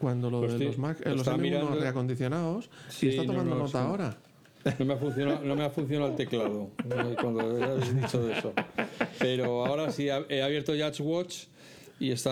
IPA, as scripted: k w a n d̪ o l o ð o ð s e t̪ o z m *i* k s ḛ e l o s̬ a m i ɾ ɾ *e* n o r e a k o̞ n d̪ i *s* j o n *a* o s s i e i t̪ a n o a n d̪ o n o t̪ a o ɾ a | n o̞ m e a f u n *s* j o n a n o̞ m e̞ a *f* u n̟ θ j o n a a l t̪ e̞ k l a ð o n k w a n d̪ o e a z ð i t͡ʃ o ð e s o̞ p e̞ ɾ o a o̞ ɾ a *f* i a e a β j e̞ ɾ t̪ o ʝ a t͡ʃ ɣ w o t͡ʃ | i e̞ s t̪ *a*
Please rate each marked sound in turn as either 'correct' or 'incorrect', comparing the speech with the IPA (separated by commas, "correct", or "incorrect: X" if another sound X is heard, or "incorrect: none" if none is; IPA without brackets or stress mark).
incorrect: a, incorrect: a, incorrect: θ, correct, incorrect: θ, correct, incorrect: s, correct